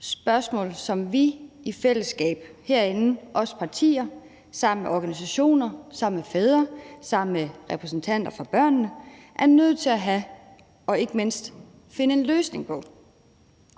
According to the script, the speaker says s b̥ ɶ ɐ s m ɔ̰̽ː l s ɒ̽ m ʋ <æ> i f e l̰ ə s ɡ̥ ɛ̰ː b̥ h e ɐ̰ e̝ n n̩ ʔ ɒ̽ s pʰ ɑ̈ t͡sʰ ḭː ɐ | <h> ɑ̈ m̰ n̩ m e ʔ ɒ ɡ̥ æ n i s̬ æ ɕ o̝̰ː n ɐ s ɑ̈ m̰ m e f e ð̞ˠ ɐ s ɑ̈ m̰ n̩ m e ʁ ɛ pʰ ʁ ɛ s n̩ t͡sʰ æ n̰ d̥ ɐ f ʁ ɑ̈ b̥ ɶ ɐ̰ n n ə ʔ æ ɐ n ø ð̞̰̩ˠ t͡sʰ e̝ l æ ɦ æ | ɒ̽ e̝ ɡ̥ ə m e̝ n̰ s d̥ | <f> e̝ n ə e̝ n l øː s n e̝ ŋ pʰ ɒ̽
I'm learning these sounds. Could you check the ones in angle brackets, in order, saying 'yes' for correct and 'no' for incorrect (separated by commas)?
no, no, yes